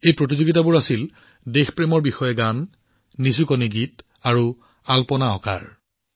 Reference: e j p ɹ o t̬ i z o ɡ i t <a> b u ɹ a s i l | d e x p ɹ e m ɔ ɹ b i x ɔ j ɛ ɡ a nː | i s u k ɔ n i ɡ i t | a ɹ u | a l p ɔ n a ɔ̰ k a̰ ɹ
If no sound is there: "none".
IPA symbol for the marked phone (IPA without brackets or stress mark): a